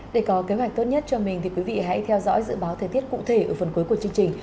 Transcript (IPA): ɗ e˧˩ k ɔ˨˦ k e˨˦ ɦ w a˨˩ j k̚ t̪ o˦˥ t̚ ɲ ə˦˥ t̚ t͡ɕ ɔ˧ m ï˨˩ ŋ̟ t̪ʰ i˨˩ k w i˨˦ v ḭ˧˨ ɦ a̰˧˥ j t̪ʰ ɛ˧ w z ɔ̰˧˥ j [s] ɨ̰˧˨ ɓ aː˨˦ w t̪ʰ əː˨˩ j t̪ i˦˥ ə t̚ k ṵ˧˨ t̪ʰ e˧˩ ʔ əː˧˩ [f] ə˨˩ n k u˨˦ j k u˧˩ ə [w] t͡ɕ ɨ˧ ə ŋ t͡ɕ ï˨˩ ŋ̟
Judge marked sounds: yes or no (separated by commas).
no, yes, no